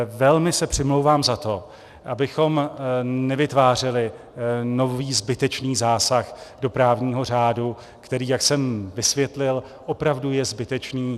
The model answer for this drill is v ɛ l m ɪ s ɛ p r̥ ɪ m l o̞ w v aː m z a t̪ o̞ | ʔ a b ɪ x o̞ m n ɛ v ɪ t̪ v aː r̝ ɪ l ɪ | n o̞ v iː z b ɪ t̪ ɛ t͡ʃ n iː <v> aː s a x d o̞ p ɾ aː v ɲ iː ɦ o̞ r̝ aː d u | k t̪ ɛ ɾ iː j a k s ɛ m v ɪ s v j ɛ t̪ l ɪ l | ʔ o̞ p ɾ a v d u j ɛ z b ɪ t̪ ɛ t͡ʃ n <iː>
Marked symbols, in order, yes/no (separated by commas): no, yes